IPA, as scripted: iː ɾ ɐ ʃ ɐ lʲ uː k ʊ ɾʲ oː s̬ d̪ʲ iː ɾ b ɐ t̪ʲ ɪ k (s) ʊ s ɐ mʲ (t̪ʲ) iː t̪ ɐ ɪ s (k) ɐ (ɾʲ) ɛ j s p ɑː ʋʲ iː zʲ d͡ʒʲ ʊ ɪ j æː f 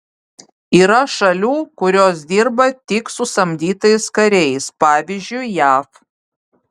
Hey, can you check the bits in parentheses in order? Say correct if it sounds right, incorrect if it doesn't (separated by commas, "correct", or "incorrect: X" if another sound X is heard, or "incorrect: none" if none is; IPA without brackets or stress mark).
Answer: correct, incorrect: d̪ʲ, correct, correct